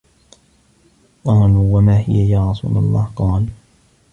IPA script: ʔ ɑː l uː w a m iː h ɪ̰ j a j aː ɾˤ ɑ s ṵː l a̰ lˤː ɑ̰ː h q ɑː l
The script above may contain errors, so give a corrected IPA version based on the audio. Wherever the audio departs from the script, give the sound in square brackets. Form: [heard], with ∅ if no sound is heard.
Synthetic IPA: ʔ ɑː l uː w a m [aː] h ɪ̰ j a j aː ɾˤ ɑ s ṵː l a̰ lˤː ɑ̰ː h q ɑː l